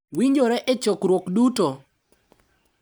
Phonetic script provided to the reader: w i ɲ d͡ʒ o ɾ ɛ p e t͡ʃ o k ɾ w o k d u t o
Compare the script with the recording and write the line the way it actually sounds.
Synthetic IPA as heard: w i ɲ d͡ʒ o ɾ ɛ ʔ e t͡ʃ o k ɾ w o k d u t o